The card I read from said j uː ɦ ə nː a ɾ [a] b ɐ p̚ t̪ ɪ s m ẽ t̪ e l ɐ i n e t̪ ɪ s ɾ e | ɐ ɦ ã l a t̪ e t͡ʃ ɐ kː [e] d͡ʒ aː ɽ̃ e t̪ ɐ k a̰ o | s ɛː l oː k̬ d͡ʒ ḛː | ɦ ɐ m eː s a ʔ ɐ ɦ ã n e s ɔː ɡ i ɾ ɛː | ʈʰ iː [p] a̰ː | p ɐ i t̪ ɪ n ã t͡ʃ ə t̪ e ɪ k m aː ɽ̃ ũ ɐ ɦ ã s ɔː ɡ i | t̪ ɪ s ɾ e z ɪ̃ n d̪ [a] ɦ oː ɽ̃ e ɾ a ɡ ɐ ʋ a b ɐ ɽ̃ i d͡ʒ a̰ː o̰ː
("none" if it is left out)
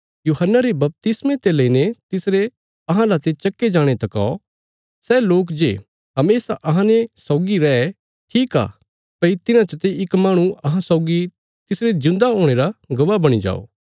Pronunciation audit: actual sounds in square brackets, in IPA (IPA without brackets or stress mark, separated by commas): e, e, k, a